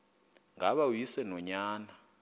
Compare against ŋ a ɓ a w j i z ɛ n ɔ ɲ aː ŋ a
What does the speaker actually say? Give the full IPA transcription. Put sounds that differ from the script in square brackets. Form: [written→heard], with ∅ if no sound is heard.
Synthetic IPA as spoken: ŋ a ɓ a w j i [z→s] ɛ n ɔ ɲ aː [ŋ→n] a